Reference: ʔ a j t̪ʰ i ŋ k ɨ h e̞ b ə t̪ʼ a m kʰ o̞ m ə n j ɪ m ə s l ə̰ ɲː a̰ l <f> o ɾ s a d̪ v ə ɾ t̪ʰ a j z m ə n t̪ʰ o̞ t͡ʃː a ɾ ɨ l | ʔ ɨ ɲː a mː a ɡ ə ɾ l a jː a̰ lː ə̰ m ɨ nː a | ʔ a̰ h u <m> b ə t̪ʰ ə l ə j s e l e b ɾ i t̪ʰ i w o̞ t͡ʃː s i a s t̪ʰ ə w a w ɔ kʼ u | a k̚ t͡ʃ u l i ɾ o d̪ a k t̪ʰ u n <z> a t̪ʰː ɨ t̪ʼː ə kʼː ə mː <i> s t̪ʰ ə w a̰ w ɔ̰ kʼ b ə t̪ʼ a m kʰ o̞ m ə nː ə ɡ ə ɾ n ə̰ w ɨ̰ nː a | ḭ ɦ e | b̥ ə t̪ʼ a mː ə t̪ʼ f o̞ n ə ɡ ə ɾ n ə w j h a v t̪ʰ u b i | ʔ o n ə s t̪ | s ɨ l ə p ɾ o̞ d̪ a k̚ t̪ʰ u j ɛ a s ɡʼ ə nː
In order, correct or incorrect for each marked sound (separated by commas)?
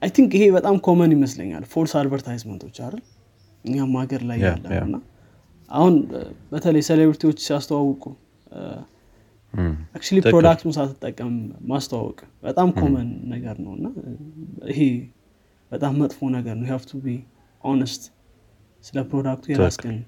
correct, incorrect, incorrect, incorrect